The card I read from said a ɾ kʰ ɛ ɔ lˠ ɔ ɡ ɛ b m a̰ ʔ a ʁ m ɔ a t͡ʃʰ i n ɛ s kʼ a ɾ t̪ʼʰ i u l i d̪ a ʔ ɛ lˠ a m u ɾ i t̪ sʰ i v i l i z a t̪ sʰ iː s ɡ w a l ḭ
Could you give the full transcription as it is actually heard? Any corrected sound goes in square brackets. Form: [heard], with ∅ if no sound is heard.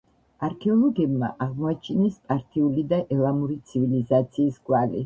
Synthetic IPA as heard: a ɾ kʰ ɛ ɔ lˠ ɔ ɡ ɛ b m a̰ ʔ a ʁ m ɔ a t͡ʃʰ i n ɛ s [pʼ] a ɾ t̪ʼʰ i u l i d̪ a ʔ ɛ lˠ a m u ɾ i t̪ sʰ i v i l i z a t̪ sʰ iː s ɡ w a l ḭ